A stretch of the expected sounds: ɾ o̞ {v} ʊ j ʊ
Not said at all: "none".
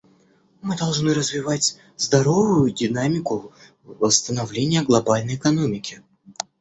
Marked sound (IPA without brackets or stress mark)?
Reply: v